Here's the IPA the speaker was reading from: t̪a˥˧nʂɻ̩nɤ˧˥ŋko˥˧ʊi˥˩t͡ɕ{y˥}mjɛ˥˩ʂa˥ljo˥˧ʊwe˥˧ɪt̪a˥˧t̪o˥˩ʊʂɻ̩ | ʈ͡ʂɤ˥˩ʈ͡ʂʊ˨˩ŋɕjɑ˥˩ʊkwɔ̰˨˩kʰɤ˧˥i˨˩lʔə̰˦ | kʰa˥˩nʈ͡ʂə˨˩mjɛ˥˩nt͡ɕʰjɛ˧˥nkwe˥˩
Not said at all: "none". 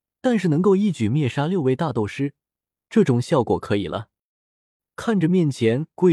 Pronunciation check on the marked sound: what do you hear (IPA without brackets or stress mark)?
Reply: y˨˩